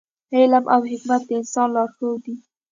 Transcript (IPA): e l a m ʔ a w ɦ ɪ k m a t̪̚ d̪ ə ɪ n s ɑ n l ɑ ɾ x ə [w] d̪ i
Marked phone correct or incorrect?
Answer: correct